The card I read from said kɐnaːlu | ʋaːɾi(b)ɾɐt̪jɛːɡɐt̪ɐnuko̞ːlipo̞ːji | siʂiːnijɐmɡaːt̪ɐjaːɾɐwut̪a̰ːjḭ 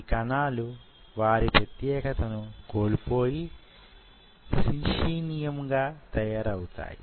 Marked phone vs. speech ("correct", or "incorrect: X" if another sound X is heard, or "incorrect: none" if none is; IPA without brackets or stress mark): incorrect: p